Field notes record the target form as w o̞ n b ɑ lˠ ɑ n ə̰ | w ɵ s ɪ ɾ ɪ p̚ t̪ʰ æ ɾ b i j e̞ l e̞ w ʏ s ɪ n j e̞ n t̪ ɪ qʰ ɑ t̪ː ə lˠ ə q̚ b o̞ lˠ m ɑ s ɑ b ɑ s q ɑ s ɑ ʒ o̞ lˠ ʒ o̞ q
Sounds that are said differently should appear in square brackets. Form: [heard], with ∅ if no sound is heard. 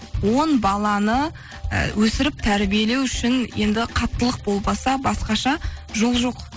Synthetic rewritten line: w o̞ n b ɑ lˠ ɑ n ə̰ | w ɵ s ɪ ɾ ɪ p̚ t̪ʰ æ ɾ b i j e̞ l e̞ w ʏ [ʃ] ɪ n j e̞ n [d̪] ɪ qʰ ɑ t̪ː ə lˠ ə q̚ b o̞ lˠ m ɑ s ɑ b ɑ s q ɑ [ʃ] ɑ ʒ o̞ lˠ ʒ o̞ q